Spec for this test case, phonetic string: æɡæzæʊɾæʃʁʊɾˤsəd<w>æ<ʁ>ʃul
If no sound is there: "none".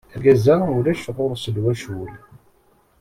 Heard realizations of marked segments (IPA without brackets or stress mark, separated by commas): w, none